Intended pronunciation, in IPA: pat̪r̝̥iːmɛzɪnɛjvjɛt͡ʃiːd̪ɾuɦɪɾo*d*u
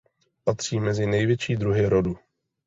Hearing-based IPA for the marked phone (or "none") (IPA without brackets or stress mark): d